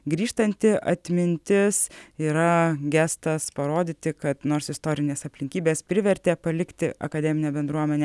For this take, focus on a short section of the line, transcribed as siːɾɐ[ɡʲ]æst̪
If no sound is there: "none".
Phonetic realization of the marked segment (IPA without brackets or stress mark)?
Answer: ɡʲ